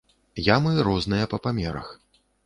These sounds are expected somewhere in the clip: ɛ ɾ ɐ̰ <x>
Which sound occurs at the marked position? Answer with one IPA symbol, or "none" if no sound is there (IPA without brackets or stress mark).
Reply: x